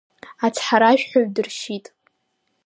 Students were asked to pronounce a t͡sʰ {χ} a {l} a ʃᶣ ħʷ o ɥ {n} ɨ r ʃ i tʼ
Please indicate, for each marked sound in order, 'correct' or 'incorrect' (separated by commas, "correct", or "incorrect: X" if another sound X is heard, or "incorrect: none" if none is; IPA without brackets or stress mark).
incorrect: ħ, incorrect: ɾ, incorrect: d